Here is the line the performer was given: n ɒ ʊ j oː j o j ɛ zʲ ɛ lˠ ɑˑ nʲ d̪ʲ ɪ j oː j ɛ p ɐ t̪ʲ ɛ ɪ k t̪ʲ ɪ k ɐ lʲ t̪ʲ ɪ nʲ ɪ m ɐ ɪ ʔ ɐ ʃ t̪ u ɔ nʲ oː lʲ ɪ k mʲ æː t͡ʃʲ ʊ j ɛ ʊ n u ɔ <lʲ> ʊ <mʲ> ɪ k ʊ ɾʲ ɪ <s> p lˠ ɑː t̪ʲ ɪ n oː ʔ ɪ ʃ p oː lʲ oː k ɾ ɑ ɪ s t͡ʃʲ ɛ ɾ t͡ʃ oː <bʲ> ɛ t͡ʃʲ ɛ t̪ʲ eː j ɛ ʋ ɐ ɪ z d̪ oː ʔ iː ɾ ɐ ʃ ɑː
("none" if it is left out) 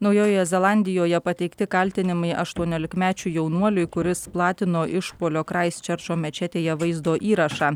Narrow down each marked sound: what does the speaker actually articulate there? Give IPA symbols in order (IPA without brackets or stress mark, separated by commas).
lʲ, none, s, mʲ